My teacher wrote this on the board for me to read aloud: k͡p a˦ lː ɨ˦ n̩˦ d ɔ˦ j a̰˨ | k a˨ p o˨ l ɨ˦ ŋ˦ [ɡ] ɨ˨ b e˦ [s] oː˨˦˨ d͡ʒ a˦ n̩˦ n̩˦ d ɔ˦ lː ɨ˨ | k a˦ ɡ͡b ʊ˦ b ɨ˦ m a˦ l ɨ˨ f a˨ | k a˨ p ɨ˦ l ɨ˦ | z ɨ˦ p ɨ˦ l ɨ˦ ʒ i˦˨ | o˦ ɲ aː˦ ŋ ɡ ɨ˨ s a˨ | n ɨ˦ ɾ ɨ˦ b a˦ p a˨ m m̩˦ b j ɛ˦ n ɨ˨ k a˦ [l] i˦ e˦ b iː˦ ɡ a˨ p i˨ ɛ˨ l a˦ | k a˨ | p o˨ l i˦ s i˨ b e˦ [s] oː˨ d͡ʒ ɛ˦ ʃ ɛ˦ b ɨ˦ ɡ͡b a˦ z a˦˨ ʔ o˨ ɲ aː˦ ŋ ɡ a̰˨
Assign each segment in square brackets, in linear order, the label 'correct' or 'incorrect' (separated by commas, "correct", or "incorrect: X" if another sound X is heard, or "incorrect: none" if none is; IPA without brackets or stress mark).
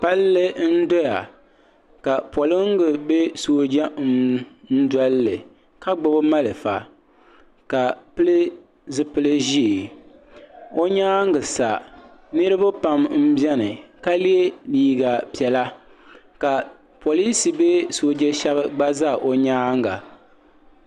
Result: correct, correct, correct, correct